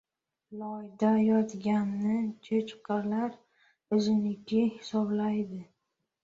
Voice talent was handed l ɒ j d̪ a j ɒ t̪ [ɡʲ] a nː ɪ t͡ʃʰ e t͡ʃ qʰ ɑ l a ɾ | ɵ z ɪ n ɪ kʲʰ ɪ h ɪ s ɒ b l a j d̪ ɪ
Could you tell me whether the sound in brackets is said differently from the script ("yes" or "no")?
no